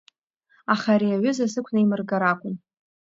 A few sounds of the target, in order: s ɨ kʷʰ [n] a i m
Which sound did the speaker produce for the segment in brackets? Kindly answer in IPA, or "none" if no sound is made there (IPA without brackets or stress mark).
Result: n